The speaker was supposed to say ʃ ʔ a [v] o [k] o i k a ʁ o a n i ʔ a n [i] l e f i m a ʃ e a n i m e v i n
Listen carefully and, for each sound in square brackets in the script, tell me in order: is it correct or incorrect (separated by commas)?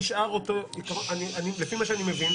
incorrect, incorrect, correct